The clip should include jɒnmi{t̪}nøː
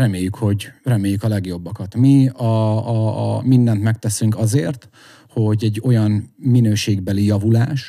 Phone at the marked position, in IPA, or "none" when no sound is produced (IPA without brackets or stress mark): none